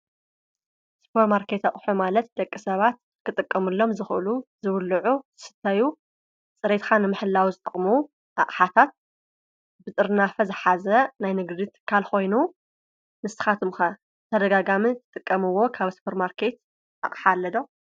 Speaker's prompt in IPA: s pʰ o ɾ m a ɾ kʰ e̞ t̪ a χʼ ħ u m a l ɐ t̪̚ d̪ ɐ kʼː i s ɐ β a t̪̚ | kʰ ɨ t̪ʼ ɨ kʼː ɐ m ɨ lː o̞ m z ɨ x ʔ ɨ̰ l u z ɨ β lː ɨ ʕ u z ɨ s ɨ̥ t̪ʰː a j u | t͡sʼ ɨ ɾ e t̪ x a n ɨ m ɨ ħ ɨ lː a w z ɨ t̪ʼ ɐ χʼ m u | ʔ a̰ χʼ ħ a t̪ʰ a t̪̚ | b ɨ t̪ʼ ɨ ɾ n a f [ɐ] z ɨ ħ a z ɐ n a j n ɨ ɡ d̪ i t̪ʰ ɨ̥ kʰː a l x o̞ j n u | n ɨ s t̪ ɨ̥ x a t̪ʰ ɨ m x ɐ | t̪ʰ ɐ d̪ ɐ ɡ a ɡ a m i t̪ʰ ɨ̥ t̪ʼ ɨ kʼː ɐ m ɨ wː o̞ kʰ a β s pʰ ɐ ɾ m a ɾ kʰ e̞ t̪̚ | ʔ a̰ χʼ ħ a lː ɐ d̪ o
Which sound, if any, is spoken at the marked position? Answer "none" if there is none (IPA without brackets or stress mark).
ɐ